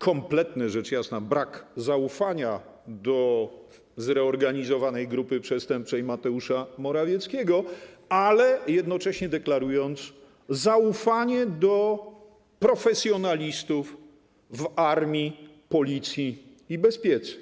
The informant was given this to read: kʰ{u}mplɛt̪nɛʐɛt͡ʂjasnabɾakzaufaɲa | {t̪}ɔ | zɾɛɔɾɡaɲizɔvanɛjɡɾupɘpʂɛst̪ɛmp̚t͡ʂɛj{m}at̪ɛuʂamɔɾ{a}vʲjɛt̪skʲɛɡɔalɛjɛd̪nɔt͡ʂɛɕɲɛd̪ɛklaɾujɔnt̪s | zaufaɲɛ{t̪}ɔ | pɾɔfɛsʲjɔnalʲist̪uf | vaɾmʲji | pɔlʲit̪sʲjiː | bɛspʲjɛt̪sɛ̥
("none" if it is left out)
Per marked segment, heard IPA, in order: ɔ, d̪, m, a, d̪

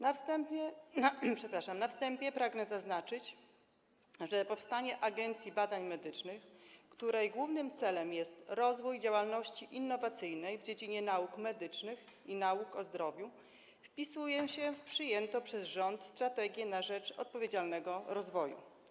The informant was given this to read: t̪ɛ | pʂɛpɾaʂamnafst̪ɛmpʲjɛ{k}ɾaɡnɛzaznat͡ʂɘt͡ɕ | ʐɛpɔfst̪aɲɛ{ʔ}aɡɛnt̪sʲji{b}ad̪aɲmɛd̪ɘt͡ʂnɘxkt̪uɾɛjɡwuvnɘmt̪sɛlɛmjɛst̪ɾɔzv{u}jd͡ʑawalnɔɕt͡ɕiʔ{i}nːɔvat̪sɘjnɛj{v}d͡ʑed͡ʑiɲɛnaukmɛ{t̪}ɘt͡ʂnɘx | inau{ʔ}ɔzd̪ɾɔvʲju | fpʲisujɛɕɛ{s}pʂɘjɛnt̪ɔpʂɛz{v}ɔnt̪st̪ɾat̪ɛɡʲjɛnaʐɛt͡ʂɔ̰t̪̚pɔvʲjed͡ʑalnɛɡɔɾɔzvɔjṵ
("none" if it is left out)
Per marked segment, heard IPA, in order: p, ʔ, b, u, i, v, d̪, k, f, ʐ

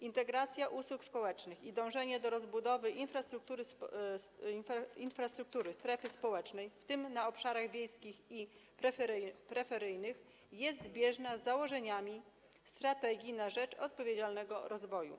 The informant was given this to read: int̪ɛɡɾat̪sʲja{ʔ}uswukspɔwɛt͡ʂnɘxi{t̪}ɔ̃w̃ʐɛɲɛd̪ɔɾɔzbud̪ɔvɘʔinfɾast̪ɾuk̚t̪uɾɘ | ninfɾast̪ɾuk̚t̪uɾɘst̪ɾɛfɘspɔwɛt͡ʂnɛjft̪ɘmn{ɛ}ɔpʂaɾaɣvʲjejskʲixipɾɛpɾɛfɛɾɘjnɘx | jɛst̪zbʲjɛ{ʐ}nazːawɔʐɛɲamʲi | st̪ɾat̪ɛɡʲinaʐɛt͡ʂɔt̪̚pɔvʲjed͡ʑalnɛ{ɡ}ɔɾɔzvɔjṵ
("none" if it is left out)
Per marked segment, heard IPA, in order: ʔ, d̪, a, ʐ, ɡ

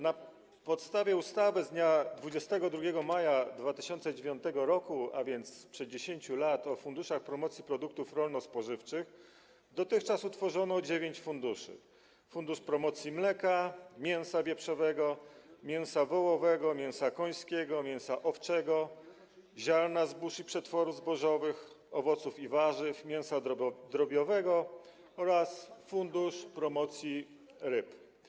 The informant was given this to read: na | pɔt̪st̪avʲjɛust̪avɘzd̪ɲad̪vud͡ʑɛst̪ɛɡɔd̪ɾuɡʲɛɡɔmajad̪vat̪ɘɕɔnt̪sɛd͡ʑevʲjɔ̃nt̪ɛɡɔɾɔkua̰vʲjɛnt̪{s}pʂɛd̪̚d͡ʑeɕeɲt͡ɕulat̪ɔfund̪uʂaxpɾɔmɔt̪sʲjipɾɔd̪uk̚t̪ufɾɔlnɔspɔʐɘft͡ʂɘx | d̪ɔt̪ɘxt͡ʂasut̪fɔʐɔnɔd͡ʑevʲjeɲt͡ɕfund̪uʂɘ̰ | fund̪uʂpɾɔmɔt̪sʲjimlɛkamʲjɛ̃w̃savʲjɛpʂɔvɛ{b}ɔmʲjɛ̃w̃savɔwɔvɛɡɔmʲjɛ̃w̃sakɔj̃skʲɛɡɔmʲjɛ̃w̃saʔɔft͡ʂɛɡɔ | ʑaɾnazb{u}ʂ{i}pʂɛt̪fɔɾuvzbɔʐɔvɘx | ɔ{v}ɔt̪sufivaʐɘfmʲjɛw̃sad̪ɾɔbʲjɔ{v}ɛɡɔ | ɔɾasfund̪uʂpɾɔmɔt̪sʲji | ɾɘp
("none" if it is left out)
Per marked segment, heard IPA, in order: s, ɡ, u, i, v, v

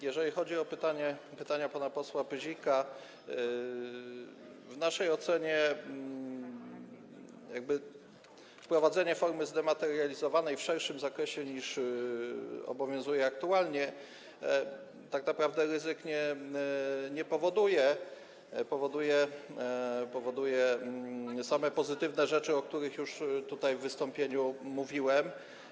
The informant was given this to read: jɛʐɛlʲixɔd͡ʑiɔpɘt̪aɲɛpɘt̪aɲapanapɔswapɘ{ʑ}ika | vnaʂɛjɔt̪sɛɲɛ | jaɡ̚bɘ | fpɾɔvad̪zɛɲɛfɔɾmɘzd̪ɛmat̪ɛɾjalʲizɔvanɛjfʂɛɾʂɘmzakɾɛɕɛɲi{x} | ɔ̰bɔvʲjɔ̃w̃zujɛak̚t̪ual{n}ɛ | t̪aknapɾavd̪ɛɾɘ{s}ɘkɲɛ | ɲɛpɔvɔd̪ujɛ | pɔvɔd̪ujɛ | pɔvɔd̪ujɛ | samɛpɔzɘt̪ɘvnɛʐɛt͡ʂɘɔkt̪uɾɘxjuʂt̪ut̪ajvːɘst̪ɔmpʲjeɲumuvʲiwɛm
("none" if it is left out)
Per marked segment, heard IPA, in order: ʑ, ʂ, ɲ, z

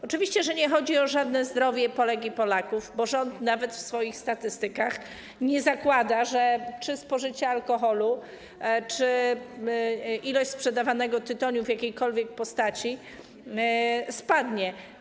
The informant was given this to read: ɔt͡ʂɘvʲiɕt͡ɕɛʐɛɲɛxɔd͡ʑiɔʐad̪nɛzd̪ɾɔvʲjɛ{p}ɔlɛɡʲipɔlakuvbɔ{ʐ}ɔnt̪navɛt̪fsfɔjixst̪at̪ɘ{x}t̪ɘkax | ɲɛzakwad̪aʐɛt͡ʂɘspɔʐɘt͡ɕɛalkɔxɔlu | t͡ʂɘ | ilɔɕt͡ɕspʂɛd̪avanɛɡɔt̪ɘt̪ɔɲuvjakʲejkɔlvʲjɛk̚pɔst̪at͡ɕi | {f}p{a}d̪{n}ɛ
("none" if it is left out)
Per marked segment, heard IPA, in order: p, ʐ, s, s, a, ɲ

